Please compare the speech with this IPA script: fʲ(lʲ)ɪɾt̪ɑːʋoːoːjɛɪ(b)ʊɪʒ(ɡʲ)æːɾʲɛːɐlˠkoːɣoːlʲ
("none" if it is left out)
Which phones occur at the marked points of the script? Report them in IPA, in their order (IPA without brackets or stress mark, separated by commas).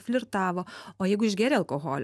lʲ, ɡ, ɡʲ